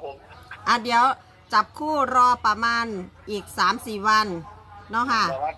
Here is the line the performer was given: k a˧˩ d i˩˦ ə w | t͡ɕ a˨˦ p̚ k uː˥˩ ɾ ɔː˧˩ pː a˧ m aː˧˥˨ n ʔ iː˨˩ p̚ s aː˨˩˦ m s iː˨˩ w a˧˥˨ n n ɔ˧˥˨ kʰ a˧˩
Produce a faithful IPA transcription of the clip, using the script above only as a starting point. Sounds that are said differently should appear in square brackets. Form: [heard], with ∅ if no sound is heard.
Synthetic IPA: [ʔ] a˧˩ d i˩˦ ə w | t͡ɕ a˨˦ p̚ [kʰ] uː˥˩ ɾ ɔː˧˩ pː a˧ m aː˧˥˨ n ʔ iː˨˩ [k̚] s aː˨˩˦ m s iː˨˩ w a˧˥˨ n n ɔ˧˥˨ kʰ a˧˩